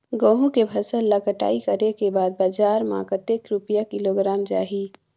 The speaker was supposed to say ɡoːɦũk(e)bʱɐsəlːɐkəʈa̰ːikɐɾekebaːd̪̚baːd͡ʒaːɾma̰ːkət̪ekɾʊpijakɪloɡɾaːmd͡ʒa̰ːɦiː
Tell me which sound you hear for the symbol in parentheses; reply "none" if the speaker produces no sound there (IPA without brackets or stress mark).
e